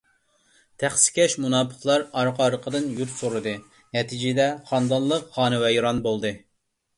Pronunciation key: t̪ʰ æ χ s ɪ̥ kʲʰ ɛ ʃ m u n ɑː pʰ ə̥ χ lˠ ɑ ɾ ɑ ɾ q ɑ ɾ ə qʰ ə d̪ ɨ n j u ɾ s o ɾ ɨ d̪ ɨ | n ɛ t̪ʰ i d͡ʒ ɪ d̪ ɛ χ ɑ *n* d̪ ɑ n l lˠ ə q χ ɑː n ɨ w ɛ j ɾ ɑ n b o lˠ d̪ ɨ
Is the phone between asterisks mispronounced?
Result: no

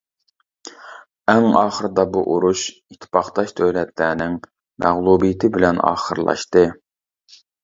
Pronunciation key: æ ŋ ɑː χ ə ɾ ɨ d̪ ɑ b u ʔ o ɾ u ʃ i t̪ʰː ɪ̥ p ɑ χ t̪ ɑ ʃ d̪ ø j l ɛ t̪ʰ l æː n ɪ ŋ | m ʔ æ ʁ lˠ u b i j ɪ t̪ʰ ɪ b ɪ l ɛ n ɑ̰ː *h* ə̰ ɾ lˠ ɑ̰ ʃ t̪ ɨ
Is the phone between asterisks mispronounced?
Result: yes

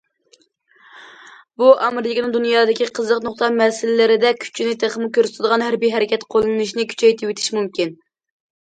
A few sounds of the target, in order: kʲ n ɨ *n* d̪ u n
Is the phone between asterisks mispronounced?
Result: yes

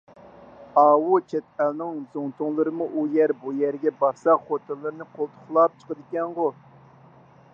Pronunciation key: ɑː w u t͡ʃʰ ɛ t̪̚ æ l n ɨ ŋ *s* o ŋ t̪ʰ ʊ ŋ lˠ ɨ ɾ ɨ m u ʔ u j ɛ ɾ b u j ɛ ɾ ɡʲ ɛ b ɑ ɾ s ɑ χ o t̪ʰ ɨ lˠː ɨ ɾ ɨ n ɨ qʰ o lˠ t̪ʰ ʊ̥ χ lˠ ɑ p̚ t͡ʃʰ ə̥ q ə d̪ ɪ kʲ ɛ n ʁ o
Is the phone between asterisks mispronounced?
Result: yes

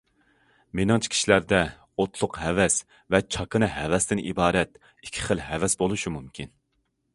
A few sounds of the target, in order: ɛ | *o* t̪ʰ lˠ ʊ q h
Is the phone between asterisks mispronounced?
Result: no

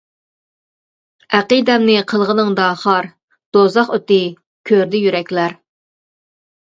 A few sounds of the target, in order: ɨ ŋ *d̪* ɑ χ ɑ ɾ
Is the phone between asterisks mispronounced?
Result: no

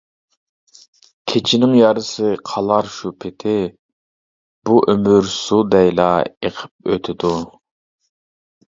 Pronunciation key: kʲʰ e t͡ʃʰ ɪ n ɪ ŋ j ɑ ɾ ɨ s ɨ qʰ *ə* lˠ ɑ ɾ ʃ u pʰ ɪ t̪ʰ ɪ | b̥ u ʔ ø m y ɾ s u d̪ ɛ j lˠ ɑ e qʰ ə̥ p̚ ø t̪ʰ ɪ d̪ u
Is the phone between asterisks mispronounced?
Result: yes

